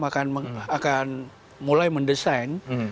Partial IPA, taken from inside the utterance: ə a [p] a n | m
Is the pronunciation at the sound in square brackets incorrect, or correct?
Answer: incorrect